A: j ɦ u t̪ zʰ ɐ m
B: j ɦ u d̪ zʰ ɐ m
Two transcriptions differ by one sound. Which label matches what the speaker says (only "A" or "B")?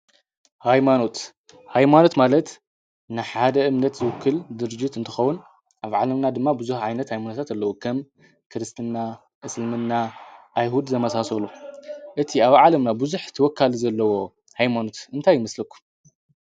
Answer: B